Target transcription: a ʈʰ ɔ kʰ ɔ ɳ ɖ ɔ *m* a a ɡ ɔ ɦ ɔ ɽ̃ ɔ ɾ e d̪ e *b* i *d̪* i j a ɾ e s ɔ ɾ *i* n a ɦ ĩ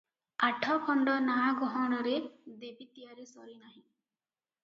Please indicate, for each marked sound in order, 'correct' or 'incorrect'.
incorrect: n, correct, incorrect: t̪, correct

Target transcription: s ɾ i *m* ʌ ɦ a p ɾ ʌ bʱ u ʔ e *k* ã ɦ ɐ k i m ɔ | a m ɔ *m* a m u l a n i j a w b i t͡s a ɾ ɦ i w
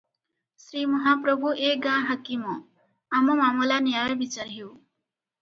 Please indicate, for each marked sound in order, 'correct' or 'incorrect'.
correct, incorrect: ɡ, correct

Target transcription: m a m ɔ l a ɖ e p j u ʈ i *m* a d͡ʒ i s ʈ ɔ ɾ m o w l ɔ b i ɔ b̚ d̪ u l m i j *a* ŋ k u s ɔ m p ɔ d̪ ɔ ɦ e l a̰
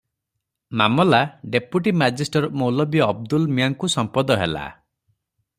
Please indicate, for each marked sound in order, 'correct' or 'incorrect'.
correct, correct

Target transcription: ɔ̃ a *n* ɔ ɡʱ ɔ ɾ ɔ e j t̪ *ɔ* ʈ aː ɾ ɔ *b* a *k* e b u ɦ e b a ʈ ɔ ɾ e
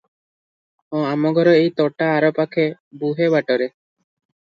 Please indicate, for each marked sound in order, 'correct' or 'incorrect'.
incorrect: m, correct, incorrect: p, incorrect: kʰ

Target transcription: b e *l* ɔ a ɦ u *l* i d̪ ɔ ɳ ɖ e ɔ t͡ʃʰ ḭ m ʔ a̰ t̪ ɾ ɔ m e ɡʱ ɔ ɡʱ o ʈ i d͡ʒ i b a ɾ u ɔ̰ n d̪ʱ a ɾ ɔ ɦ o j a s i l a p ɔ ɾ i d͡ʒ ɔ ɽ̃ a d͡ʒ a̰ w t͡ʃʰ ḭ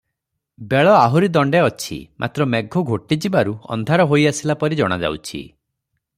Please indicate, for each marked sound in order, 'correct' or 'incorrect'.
incorrect: ɭ, incorrect: ɾ

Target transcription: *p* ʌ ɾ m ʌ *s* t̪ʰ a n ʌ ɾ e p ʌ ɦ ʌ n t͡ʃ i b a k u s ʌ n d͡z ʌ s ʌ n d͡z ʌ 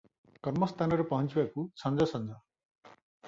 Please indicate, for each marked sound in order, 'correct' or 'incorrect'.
incorrect: k, correct

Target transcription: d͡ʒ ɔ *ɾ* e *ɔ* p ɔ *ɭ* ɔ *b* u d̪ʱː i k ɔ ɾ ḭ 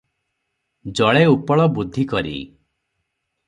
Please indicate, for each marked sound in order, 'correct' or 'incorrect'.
incorrect: ɭ, incorrect: u, correct, correct

